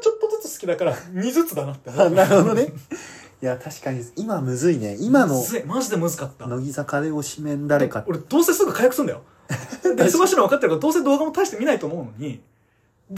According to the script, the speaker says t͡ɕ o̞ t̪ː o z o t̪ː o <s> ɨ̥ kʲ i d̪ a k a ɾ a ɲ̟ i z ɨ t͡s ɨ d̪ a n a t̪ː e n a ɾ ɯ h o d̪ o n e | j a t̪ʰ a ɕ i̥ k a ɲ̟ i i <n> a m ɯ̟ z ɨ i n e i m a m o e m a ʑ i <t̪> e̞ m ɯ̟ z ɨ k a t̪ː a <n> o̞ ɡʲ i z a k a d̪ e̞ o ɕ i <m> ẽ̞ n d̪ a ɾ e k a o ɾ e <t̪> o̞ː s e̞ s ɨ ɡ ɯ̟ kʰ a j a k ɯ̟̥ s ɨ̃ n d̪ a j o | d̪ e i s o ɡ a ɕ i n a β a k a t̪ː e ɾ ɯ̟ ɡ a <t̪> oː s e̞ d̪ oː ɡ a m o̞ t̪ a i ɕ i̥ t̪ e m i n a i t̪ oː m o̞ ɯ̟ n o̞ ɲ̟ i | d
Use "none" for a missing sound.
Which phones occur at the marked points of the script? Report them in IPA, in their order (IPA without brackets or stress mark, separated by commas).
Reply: s, m, d̪, n, m, d̪, d̪